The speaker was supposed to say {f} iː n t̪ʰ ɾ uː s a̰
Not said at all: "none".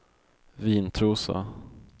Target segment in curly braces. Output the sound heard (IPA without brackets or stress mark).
v